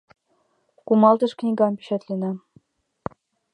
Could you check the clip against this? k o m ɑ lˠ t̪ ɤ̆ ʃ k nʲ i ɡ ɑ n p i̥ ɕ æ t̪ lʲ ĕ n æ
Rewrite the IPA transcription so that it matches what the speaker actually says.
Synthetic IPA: k u m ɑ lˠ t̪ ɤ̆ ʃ k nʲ i ɡ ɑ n p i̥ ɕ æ t̪ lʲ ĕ n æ